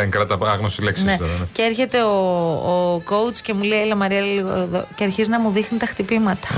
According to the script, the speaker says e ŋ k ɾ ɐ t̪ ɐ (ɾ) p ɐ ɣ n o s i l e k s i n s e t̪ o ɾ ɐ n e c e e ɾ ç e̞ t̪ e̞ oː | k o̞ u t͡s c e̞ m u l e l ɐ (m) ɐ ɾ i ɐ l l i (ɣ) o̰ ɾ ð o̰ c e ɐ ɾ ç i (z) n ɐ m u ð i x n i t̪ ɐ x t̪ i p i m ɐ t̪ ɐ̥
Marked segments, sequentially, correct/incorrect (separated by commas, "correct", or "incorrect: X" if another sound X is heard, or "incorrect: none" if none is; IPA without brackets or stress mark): incorrect: none, correct, correct, correct